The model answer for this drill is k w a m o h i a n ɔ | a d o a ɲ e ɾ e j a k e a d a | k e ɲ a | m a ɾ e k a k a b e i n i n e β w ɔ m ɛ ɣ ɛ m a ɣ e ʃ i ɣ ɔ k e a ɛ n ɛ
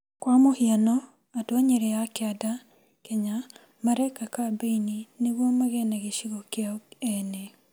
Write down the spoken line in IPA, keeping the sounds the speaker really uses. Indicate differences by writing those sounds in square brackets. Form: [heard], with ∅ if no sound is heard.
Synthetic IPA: k w a m o h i a n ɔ | a d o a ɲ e ɾ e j a k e a d a | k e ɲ a | m a ɾ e k a k a b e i n i n e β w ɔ m [a] ɣ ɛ [n] a ɣ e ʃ i ɣ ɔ k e a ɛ n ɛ